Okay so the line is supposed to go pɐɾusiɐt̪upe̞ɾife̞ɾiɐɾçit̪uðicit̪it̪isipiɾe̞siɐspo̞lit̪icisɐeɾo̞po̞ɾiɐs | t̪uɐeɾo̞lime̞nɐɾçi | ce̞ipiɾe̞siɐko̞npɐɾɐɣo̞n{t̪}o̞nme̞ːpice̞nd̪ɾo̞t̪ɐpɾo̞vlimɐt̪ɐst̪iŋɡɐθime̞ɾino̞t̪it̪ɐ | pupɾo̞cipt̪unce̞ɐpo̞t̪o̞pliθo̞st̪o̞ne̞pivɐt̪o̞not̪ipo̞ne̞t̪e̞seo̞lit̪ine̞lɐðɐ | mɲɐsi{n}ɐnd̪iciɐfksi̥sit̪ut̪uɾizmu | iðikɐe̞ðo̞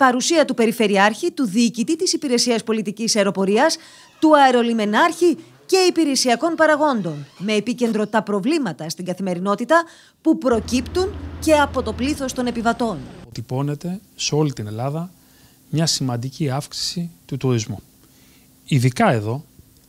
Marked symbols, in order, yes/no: no, no

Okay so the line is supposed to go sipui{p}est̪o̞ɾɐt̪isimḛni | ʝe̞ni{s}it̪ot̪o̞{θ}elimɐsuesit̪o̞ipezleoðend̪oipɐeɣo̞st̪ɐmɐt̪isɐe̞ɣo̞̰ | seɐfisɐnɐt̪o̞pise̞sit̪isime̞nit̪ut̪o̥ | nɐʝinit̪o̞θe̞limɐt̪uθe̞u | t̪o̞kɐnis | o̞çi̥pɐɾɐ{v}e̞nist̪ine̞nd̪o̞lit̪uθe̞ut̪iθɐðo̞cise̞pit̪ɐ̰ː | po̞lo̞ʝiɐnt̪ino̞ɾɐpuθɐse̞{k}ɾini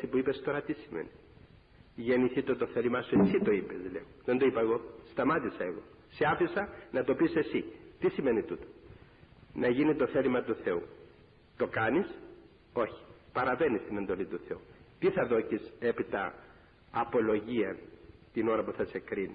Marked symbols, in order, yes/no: yes, no, yes, yes, yes

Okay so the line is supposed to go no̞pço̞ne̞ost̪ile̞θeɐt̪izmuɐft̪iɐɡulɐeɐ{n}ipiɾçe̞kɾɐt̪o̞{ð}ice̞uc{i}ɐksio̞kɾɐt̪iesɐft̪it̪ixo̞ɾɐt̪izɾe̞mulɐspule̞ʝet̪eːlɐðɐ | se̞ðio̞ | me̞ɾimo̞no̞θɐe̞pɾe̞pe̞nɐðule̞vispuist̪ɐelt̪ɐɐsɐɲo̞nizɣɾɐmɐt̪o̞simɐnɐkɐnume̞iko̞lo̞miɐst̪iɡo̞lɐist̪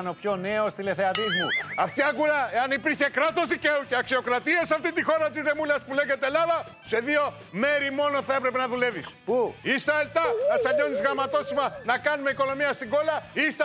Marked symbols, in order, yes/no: yes, no, no

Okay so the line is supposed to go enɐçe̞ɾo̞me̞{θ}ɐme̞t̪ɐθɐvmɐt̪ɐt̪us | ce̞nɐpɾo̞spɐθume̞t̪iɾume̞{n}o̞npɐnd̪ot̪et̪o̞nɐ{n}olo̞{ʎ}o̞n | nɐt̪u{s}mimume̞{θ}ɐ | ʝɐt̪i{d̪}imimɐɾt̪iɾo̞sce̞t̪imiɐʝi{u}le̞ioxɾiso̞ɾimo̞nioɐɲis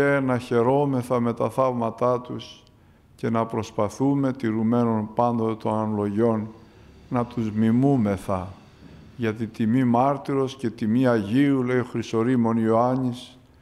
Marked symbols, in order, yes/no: yes, yes, yes, no, no, yes, no, yes

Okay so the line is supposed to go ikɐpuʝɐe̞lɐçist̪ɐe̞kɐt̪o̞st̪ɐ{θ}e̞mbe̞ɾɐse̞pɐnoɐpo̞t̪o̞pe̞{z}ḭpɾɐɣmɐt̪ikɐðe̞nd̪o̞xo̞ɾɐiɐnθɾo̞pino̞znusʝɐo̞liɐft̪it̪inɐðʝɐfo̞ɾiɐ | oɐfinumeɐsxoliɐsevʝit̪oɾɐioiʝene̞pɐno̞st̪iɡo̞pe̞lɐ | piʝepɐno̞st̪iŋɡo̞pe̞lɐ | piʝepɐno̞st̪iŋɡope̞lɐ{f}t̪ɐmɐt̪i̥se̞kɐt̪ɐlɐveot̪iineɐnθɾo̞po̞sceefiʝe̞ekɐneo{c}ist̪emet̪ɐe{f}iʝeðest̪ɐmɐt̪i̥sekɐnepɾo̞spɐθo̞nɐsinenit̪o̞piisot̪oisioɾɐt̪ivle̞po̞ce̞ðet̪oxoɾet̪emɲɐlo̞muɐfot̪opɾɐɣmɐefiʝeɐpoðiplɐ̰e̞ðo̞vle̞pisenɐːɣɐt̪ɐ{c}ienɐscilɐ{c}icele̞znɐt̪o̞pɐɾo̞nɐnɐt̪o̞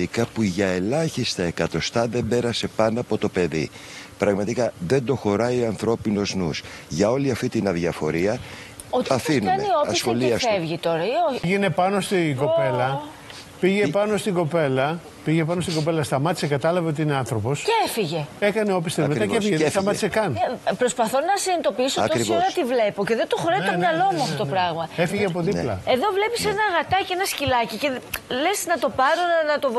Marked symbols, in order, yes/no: no, no, no, no, yes, yes, yes

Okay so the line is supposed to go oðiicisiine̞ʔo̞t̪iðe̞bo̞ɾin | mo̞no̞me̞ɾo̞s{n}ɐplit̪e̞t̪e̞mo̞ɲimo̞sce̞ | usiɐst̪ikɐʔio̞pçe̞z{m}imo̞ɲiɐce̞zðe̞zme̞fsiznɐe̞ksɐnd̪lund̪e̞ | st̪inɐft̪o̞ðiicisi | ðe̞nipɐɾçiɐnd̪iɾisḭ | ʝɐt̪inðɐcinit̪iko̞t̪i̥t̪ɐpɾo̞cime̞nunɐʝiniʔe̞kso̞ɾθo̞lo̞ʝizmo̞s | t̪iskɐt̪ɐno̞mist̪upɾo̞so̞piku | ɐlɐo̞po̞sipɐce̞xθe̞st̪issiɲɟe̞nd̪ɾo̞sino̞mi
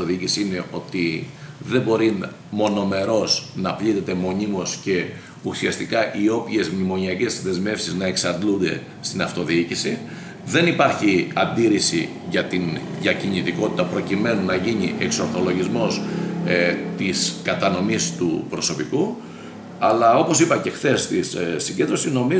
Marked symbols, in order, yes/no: yes, yes

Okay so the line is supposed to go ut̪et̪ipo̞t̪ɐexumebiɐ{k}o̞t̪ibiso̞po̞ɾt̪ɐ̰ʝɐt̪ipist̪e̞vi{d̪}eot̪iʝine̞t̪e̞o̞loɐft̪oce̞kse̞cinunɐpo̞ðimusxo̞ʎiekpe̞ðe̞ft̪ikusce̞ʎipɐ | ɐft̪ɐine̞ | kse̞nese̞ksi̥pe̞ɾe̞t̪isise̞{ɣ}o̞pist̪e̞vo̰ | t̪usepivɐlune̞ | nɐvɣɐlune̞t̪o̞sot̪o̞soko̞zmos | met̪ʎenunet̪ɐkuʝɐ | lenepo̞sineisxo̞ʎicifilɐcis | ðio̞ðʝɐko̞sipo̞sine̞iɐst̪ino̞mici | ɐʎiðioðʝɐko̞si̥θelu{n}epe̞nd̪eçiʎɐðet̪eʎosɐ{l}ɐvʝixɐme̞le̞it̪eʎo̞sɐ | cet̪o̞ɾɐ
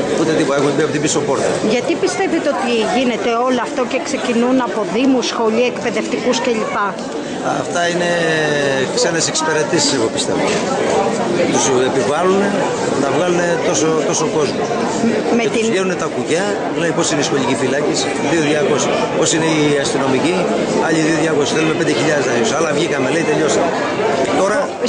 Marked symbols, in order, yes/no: no, no, yes, no, yes

